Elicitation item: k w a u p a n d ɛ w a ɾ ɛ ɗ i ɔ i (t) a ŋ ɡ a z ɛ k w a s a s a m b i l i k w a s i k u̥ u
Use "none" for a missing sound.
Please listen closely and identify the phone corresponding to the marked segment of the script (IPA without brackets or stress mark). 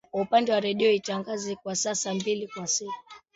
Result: t